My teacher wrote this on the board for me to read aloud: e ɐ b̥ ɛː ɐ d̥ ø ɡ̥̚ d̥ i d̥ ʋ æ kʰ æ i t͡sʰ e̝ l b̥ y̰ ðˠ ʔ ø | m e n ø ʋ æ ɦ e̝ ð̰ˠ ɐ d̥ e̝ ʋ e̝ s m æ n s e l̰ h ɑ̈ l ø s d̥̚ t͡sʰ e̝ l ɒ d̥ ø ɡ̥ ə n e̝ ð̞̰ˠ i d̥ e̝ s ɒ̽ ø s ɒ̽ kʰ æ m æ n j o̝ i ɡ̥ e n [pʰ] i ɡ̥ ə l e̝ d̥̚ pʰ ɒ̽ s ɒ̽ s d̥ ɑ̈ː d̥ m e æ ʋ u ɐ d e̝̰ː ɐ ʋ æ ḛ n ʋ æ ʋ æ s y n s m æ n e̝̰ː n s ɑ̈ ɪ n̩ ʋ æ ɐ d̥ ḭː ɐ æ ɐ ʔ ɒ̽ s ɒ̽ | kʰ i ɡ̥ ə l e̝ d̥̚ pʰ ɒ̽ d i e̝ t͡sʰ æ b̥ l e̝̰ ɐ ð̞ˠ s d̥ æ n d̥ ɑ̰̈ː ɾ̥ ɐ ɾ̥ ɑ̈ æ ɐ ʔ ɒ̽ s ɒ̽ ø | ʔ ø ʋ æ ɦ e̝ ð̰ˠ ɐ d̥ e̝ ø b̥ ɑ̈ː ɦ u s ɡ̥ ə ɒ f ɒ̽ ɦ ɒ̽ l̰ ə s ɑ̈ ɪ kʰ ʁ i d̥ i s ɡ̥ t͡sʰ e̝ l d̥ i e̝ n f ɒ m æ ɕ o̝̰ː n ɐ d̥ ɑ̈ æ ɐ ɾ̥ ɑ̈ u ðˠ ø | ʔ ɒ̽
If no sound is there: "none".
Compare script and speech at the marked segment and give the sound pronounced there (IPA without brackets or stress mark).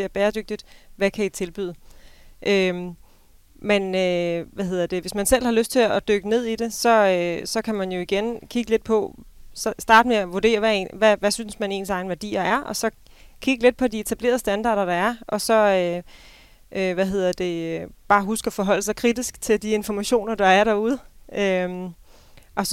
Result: kʰ